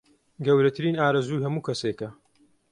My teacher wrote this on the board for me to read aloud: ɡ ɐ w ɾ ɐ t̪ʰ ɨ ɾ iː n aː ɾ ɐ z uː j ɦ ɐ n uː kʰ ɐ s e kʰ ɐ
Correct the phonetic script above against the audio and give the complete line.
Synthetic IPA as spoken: ɡ ɐ w ɾ ɐ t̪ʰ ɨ ɾ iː n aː ɾ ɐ z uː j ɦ ɐ m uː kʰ ɐ s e k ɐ